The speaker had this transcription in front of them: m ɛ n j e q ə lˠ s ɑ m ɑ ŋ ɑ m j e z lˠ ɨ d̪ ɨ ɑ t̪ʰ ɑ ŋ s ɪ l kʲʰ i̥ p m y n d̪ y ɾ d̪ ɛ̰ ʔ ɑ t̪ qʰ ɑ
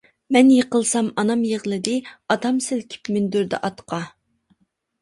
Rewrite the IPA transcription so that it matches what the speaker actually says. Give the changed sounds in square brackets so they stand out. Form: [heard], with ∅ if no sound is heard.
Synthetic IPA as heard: m ɛ n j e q ə lˠ s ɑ m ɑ [n] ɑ m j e [ʁ] lˠ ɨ d̪ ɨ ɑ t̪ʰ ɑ [m] s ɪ l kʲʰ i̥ p m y n d̪ y ɾ d̪ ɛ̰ ʔ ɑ t̪ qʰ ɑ